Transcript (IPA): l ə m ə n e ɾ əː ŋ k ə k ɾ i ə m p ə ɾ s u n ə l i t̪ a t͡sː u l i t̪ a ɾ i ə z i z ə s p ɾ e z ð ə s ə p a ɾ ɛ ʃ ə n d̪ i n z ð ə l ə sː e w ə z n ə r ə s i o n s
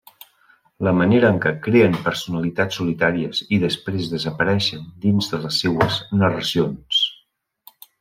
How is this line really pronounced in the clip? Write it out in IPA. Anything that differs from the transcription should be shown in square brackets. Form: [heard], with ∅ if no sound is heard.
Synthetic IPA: l ə m ə n e ɾ əː ŋ k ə k ɾ [e] ə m p ə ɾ s u n ə l i t̪ a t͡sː u l i t̪ a ɾ i ə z i [ð] ə s p ɾ e z ð ə [z] ə p [ə] ɾ ɛ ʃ ə n d̪ i n z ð ə l ə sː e w ə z n ə r ə s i o n s

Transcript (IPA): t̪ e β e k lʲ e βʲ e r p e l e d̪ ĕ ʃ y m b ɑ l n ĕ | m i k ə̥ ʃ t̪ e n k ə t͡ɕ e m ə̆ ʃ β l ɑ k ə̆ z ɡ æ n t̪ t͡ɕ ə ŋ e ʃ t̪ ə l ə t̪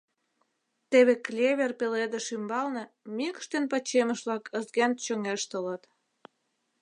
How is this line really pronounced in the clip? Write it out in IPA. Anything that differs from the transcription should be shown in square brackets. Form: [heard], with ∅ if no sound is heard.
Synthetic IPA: t̪ e β e k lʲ e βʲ e r p e l e d̪ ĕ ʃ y m b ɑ l n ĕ | m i k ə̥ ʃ t̪ e n [p] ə t͡ɕ e m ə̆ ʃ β l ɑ k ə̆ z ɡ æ n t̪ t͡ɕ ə ŋ e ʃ t̪ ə l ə t̪

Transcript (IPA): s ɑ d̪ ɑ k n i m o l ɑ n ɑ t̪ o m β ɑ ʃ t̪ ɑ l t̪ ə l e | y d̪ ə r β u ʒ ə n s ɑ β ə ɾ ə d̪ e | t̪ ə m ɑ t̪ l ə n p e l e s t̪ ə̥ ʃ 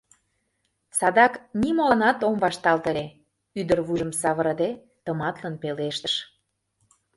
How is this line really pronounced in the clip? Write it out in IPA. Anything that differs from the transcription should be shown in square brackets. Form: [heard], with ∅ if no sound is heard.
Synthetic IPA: s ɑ d̪ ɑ k n i m o l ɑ n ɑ t̪ o m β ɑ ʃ t̪ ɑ l t̪ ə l e | y d̪ ə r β u ʒ ə [m] s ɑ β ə ɾ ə d̪ e | t̪ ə m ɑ t̪ l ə n p e l e [ʃ] t̪ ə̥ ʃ

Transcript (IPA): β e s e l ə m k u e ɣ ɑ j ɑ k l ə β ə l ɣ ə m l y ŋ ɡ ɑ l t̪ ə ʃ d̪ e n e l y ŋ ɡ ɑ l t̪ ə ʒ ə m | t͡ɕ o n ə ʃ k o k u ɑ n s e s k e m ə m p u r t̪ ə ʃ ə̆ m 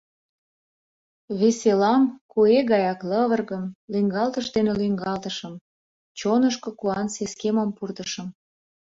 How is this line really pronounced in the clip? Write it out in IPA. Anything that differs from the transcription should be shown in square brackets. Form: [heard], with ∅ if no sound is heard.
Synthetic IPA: β e s e l [ɑ] m k u e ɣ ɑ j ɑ k l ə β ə [r] ɣ ə m l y ŋ ɡ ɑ l t̪ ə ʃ d̪ e n e l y ŋ ɡ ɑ l t̪ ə [ʃ] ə m | t͡ɕ o n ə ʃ k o k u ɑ n s e s k e m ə m p u r t̪ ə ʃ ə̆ m

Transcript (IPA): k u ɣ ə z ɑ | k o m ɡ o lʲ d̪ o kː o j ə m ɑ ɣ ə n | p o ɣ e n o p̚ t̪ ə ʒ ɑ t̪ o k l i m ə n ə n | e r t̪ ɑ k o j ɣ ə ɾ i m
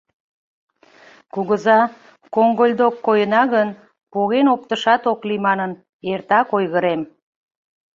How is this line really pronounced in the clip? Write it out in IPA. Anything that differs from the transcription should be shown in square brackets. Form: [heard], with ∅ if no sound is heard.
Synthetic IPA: k u ɣ ə z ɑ | k o [ŋ] ɡ o lʲ d̪ o kː o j ə [n] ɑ ɣ ə n | p o ɣ e n o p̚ t̪ ə [ʃ] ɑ t̪ o k l i m [ɑ] n ə n | e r t̪ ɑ k o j ɣ ə ɾ [e] m

